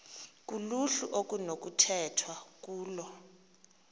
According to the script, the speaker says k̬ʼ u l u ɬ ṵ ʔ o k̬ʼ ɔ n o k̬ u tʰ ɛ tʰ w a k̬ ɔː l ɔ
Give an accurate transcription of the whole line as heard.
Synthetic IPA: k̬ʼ u l u ɬ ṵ ʔ o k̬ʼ u n o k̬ u tʰ ɛ tʰ w a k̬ uː l ɔ